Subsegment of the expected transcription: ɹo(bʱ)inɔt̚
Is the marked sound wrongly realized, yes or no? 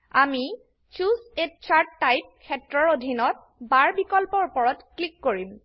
yes